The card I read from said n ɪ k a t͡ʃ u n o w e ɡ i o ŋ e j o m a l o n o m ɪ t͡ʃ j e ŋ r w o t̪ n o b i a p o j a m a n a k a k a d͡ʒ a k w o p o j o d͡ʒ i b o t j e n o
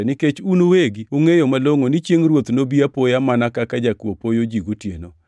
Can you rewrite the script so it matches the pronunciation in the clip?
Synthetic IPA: n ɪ k e t͡ʃ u n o w e ɡ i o ŋ e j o m a l o ŋ o n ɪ t͡ʃ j e ŋ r w o t̪ n o b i a p o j a m a n a k a k a d͡ʒ a k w o p o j o d͡ʒ i ɡ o t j e n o

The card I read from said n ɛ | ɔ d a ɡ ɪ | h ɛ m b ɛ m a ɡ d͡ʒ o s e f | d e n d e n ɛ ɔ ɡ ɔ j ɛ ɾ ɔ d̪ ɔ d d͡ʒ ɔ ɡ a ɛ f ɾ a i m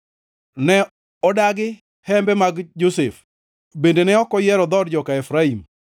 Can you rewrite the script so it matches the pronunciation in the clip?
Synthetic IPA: n ɛ | ɔ d a ɡ ɪ | h ɛ m b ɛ m a ɡ d͡ʒ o s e f | b e n d e n ɛ ɔ k ɔ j ɛ ɾ ɔ d̪ ɔ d d͡ʒ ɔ k a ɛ f ɾ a i m

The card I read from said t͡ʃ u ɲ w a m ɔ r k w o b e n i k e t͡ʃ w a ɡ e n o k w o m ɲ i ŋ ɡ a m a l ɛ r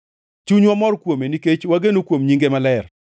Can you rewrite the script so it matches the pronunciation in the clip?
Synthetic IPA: t͡ʃ u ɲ w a m ɔ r k w o m e n i k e t͡ʃ w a ɡ e n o k w o m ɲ i ŋ ɡ e m a l ɛ r

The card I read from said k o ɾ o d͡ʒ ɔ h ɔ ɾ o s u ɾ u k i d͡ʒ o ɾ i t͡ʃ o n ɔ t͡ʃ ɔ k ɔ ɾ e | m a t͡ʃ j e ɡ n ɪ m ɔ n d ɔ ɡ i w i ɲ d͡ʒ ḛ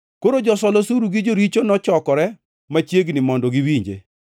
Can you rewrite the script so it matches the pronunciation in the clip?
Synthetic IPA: k o ɾ o d͡ʒ ɔ s ɔ l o s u ɾ u ɡ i d͡ʒ o ɾ i t͡ʃ o n ɔ t͡ʃ ɔ k ɔ ɾ ɛ | m a t͡ʃ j e ɡ n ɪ m ɔ n d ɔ ɡ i w i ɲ d͡ʒ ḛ

